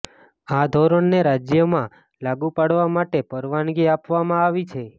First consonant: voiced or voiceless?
voiced